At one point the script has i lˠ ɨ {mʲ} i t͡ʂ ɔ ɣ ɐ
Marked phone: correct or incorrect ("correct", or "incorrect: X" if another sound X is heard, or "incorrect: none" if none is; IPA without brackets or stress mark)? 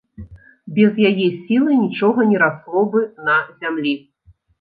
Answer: incorrect: nʲ